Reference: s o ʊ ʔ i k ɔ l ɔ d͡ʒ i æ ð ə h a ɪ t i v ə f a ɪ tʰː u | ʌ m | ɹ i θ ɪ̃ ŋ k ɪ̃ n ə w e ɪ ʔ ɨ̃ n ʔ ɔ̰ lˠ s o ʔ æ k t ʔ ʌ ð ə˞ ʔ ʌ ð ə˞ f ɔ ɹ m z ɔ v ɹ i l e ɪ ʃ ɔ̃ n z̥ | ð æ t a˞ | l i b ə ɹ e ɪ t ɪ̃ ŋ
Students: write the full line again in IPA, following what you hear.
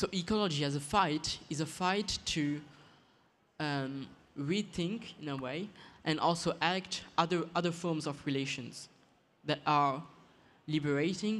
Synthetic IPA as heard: s o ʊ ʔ i k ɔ l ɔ d͡ʒ i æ z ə f a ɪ t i z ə f a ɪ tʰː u | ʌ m | ɹ i θ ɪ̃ ŋ k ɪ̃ n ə w e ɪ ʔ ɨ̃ n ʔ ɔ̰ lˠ s o ʔ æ k t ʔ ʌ ð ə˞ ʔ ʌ ð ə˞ f ɔ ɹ m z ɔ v ɹ i l e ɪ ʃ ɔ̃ n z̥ | ð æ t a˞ | l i b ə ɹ e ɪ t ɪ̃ ŋ